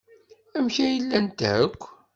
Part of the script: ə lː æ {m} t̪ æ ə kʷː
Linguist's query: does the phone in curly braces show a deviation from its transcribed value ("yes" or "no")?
yes